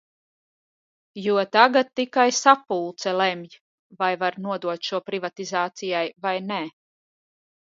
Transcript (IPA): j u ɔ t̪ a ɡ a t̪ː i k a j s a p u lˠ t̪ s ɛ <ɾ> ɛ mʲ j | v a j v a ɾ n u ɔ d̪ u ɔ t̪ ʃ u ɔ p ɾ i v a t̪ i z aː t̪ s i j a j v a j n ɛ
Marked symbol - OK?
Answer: no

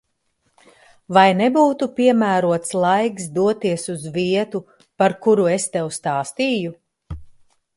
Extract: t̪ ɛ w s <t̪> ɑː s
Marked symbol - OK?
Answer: yes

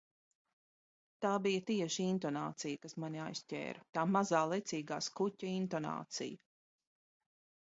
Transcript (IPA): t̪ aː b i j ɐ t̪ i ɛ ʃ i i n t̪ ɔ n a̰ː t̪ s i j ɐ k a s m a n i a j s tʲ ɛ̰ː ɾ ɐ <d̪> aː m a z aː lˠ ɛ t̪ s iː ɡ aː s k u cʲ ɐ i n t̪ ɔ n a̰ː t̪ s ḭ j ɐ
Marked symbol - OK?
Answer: no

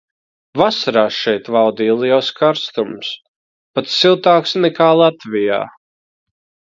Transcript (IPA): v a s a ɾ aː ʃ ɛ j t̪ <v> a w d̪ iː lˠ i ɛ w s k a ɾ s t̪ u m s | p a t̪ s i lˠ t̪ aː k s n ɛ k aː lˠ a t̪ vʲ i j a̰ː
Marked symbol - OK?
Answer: yes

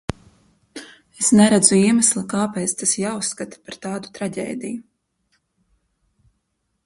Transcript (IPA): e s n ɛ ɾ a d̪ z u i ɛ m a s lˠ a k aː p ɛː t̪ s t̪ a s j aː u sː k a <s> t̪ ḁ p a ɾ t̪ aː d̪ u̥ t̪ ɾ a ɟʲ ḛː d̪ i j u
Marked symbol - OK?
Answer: no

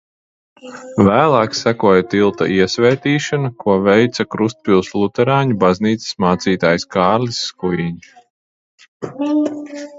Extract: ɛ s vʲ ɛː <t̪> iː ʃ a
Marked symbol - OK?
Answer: yes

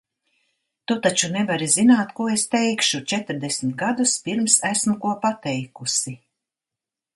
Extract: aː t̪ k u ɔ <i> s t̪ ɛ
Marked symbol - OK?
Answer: no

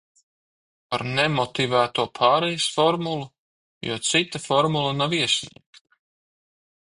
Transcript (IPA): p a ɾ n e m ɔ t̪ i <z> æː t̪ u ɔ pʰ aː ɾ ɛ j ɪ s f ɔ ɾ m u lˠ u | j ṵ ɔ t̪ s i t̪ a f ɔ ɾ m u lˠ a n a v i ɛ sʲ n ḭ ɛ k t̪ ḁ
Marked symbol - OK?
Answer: no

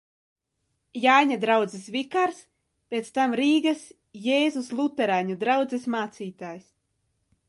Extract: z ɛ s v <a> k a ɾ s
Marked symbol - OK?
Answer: no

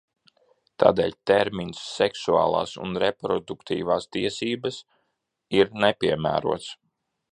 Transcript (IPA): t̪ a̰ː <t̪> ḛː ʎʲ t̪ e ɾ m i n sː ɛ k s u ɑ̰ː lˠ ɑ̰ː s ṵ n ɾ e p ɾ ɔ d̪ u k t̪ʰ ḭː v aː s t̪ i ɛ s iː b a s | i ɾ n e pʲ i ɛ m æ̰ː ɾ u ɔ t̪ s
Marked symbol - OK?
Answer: no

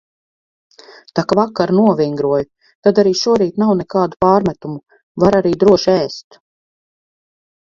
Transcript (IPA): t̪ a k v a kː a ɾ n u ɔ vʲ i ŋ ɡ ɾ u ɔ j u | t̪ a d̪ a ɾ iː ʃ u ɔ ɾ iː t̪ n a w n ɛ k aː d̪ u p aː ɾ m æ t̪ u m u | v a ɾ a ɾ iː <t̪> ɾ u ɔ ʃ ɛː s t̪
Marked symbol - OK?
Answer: no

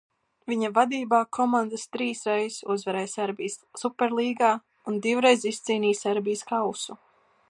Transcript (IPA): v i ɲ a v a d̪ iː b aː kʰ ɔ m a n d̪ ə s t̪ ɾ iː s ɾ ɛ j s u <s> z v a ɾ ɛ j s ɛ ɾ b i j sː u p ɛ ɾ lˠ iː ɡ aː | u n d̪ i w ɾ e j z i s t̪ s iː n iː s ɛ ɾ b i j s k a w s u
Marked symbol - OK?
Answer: no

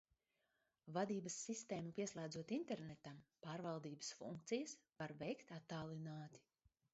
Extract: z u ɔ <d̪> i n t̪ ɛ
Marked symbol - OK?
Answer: no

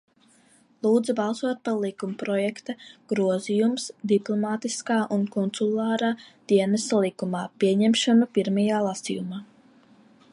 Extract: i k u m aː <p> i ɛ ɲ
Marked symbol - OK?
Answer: yes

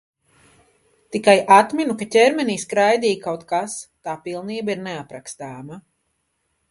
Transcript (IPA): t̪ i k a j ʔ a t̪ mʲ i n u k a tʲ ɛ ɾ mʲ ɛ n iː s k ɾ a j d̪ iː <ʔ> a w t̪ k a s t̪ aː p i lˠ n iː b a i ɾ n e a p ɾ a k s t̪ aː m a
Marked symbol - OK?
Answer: no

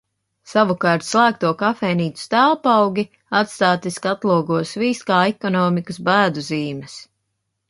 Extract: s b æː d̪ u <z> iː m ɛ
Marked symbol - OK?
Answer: yes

